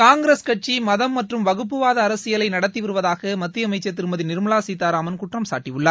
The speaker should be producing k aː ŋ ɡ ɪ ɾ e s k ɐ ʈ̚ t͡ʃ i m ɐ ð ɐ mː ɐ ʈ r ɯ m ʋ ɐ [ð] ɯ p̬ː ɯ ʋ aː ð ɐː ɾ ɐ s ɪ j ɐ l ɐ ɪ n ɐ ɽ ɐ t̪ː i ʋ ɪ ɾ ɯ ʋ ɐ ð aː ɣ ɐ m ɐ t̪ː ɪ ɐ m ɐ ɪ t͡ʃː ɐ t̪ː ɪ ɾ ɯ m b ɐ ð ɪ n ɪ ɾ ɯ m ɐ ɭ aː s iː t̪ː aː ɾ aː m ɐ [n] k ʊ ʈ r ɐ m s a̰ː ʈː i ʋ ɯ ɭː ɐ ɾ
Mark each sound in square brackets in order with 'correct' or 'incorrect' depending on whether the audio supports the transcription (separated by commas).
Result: incorrect, correct